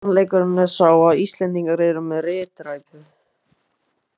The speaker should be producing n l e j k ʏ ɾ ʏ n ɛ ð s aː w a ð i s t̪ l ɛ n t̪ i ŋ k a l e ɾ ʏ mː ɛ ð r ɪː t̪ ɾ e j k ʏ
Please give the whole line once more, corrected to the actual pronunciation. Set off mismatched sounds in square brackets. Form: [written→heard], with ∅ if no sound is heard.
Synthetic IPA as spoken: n l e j k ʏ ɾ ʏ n ɛ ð s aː w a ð i s t̪ l ɛ n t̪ i ŋ k a [l→ɾ] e ɾ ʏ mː ɛ ð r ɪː t̪ ɾ [e→a] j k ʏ